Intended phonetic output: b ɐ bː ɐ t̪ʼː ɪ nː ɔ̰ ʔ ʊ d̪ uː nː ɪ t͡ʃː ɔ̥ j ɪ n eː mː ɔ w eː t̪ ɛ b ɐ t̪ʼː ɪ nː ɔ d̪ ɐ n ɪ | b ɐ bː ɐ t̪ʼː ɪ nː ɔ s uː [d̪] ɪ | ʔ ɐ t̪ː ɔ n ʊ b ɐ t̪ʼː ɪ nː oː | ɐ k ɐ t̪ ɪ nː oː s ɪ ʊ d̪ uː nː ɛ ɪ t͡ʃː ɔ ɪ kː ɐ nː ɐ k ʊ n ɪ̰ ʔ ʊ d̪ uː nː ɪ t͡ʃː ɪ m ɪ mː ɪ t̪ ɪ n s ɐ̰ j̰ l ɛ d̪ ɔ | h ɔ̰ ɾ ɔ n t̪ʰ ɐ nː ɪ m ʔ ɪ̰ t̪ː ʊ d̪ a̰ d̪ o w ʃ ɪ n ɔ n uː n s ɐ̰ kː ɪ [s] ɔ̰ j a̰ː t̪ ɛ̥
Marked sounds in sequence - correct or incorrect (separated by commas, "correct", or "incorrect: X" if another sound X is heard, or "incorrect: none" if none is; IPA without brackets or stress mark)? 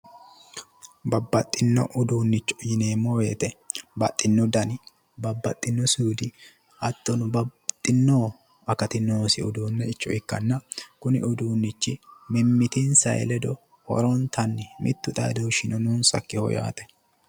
correct, incorrect: h